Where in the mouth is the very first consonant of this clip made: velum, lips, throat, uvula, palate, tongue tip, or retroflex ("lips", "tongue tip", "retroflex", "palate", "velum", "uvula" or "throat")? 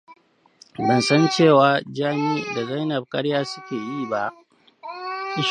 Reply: lips